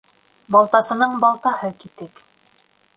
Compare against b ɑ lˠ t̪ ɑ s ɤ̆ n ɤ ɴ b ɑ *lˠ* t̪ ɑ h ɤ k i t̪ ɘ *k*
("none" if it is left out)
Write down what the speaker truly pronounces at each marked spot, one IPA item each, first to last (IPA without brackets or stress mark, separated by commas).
lˠ, k